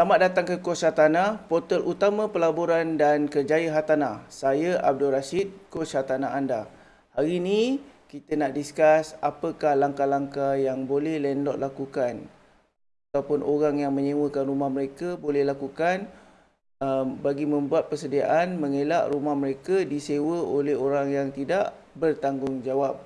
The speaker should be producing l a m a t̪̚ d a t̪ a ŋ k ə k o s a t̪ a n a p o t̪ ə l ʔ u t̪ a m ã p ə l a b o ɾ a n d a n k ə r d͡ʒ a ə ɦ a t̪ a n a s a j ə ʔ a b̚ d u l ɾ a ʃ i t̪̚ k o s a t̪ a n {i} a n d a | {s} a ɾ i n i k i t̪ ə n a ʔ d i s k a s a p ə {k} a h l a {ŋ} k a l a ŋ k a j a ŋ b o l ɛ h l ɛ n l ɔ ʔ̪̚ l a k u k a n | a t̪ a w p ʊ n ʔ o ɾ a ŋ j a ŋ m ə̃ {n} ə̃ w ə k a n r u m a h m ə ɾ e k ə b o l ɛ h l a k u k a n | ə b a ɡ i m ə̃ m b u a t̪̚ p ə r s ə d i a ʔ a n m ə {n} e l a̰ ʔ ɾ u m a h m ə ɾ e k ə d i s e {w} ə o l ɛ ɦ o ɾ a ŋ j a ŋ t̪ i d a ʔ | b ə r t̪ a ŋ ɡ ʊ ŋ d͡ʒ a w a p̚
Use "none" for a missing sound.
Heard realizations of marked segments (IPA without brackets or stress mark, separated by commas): a, h, k, ŋ, ɲ, ŋ, w